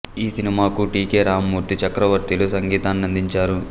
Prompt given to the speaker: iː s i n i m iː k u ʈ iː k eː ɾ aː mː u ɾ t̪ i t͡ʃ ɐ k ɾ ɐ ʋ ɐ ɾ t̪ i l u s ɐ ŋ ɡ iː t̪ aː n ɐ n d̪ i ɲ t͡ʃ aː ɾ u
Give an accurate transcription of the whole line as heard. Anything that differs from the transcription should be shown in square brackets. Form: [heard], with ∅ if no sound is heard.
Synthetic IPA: iː s i n i m [aː] k u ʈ iː k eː ɾ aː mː [uː] ɾ t̪ i t͡ʃ ɐ k ɾ ɐ ʋ ɐ ɾ t̪ i l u s ɐ ŋ ɡ iː t̪ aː n ɐ n d̪ i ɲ t͡ʃ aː ɾ u